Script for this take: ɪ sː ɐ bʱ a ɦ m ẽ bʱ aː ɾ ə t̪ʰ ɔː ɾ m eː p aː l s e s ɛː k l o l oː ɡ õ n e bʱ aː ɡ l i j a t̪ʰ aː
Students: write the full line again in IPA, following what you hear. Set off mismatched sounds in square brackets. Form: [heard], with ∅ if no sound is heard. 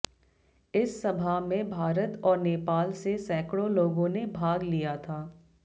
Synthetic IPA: ɪ sː ɐ bʱ a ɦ m ẽ bʱ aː ɾ ə [t̪] ɔː ɾ [n] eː p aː l s e s ɛː k [ɽ] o l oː ɡ õ n e bʱ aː ɡ l i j a t̪ʰ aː